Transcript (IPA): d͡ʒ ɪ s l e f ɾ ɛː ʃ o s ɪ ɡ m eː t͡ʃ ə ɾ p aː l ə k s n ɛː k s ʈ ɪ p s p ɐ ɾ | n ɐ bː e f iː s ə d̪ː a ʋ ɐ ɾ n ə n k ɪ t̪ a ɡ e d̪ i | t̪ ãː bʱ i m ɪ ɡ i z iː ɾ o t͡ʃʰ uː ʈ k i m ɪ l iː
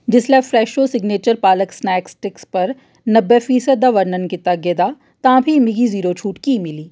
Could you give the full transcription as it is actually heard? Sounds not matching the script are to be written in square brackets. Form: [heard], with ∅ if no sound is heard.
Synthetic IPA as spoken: d͡ʒ ɪ s l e f ɾ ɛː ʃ o s ɪ ɡ [n] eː t͡ʃ ə ɾ p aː l ə k s n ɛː k s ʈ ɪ [k] s p ɐ ɾ | n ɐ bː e f iː s ə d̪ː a ʋ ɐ ɾ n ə n k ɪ t̪ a ɡ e d̪ [a] | t̪ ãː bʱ i m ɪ ɡ i z iː ɾ o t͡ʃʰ uː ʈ k i m ɪ l iː